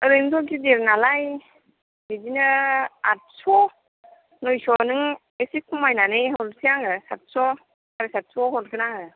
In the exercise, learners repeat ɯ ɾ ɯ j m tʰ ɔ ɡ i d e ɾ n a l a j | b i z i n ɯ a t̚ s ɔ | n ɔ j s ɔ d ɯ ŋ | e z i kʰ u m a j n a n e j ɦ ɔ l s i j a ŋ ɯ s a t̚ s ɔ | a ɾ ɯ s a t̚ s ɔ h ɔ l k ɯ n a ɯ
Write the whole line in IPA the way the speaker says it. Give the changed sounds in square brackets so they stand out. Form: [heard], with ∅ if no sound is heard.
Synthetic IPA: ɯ ɾ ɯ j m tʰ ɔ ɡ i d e ɾ n a l a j | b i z i n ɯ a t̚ s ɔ | n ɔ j s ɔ [n] ɯ ŋ | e [s] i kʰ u m a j n a n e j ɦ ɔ l s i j a ŋ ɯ s a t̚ s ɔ | a ɾ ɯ s a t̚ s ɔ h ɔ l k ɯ n a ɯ